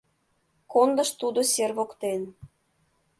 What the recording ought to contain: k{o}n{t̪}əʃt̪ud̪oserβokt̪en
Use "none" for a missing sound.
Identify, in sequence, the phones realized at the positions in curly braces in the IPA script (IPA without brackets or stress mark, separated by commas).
o, d̪